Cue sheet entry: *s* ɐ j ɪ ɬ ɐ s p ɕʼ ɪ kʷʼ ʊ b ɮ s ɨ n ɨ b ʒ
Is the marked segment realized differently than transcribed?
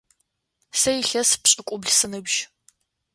no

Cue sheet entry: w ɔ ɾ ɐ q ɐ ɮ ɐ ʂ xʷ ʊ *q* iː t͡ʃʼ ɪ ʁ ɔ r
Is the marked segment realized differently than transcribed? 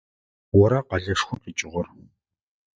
no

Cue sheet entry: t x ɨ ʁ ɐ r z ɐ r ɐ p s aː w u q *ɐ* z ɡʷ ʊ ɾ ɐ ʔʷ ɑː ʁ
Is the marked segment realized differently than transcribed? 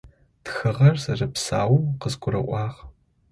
yes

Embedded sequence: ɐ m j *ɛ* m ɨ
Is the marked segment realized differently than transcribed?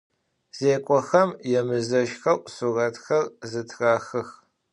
no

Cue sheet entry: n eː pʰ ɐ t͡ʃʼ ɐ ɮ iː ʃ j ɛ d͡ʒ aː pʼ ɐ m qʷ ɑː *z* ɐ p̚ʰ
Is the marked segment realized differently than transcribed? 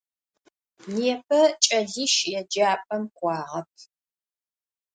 yes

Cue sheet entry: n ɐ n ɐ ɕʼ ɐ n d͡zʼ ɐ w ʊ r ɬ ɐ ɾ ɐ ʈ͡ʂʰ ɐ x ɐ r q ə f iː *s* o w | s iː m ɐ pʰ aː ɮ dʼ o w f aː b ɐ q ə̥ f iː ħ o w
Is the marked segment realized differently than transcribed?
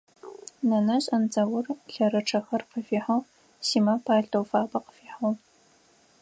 yes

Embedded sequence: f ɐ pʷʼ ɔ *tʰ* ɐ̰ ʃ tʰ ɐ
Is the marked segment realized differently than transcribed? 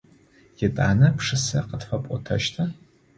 no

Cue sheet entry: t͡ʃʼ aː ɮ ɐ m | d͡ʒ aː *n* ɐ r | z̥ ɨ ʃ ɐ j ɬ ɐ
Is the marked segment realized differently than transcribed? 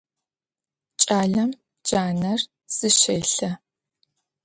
no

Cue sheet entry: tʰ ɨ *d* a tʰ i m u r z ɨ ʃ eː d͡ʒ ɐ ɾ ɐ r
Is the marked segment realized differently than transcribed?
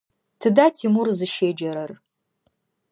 no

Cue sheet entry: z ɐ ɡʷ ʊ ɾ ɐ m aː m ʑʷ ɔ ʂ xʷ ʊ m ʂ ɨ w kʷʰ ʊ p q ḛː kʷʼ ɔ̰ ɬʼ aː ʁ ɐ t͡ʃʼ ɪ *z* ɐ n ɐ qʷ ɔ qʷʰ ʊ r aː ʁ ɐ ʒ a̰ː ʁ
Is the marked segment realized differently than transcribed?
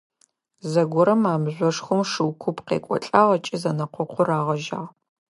no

